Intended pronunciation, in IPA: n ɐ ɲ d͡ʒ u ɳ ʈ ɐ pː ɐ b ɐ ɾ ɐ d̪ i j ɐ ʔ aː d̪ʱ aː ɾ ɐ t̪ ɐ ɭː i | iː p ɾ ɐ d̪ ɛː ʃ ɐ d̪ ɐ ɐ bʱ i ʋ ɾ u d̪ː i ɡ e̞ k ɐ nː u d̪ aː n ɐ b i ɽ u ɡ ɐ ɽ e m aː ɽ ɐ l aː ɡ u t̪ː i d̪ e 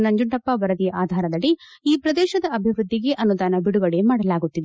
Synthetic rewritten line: n ɐ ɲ d͡ʒ u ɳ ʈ ɐ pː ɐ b ɐ ɾ ɐ d̪ i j ɐ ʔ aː d̪ʱ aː ɾ ɐ d̪ ɐ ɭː i | iː p ɾ ɐ d̪ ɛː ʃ ɐ d̪ ɐ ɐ bʱ i ʋ ɾ u d̪ː i ɡ e̞ ʔ ɐ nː u d̪ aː n ɐ b i ɽ u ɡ ɐ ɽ e m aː ɽ ɐ l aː ɡ u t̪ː i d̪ e